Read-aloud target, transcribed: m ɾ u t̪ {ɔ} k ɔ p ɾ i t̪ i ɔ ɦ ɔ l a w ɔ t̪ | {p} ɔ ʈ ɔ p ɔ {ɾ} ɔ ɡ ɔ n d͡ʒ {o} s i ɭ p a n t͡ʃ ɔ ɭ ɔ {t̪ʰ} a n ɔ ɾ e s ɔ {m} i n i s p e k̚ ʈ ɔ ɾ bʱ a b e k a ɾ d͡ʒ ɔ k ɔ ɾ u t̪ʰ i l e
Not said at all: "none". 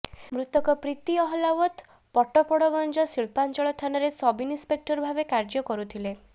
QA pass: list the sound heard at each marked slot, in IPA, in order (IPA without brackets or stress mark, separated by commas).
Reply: ɔ, p, ɽ, ɔ, t̪ʰ, b